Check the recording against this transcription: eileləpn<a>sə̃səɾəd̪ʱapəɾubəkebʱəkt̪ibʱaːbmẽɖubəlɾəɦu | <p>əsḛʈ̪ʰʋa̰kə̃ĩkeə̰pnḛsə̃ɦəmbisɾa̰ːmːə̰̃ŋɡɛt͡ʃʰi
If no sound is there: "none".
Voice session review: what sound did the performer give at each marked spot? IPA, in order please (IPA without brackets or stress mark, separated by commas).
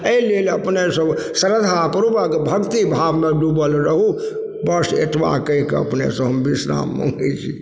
e, b